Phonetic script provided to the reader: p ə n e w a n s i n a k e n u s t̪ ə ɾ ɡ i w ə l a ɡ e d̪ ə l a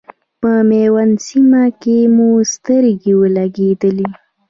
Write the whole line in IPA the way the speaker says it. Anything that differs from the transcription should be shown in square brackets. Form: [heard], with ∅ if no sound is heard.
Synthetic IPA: p ə [m] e w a n s i [m] a k e [m] u s t̪ ə ɾ ɡ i w ə l a ɡ e d̪ ə l [i]